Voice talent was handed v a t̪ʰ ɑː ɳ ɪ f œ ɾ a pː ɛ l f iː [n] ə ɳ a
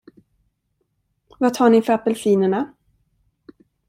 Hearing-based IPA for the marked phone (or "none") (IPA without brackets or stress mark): n